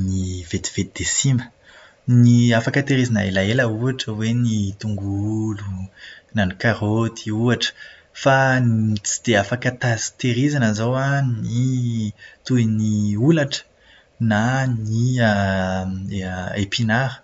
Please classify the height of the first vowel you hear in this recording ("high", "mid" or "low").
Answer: high